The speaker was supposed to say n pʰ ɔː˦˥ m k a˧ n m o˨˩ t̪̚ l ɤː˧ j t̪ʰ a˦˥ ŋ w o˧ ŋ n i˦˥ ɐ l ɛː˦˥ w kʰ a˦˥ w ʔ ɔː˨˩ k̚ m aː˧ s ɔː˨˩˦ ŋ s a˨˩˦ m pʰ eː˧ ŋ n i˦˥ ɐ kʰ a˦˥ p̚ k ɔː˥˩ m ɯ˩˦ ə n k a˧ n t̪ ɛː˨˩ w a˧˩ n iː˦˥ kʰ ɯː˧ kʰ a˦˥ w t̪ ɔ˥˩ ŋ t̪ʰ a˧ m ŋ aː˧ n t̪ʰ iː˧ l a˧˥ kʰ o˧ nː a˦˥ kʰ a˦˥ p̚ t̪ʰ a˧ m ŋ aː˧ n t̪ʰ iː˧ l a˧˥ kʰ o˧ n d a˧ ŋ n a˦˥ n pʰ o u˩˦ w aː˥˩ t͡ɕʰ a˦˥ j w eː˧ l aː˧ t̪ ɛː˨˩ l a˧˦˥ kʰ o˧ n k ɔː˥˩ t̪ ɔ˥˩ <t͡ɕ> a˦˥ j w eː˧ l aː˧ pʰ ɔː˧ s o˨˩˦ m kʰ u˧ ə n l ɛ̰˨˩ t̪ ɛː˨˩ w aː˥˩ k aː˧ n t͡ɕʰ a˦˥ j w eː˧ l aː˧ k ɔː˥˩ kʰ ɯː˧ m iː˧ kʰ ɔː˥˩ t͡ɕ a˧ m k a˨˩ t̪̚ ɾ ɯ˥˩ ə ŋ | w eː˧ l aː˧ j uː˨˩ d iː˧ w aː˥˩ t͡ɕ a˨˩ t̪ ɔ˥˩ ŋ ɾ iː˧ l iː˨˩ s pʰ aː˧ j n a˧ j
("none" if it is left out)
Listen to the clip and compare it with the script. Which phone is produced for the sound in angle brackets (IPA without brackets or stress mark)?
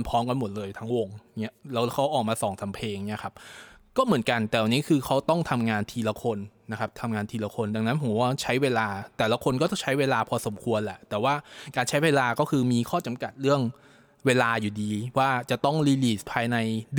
t͡ɕʰ